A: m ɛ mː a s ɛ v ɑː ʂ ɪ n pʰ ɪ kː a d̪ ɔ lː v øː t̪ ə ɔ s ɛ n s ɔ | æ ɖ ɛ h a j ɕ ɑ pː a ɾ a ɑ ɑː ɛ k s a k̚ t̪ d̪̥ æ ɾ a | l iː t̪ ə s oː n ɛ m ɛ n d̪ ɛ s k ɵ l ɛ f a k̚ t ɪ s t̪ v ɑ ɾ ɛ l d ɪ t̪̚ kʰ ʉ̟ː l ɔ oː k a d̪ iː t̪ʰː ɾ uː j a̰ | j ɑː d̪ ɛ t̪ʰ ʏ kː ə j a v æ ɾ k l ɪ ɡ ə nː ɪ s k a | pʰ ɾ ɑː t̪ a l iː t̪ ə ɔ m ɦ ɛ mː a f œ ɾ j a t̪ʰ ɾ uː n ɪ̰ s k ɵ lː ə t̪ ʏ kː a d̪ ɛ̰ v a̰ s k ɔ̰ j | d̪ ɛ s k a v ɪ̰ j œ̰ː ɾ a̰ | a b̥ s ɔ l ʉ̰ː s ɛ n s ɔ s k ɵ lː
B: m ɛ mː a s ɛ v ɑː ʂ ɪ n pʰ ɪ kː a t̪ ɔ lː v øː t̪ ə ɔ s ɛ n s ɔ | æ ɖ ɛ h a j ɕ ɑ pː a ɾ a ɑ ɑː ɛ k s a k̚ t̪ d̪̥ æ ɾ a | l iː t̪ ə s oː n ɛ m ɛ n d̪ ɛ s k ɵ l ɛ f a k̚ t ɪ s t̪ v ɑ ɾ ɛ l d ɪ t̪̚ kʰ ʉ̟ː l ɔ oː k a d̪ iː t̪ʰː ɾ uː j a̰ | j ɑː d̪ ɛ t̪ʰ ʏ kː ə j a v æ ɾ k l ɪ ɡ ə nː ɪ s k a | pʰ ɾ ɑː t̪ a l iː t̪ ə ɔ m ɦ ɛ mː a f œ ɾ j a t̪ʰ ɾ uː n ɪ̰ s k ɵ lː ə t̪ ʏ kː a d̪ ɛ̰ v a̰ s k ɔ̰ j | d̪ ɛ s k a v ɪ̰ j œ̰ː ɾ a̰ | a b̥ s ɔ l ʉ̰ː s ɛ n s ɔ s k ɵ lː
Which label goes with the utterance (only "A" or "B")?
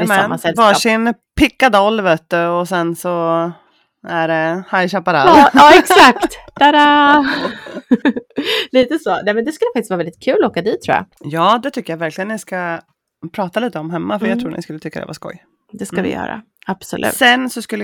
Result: A